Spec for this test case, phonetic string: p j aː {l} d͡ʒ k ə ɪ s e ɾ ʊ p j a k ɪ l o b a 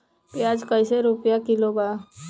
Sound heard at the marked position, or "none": none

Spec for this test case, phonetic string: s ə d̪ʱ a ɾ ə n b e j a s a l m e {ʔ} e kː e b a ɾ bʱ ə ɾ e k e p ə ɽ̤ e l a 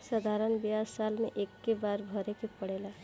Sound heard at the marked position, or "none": ʔ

